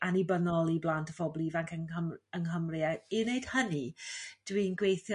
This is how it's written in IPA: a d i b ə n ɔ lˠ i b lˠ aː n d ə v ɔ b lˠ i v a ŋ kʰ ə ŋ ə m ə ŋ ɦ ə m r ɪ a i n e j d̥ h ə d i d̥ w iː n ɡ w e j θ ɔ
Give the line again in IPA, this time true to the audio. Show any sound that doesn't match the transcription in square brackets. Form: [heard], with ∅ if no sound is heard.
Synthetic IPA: a [n] i b ə n ɔ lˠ i b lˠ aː n [t] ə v ɔ b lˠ i v a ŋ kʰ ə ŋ ə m ə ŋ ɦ ə m r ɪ a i n e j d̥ h ə [n] i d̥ w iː n ɡ w e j θ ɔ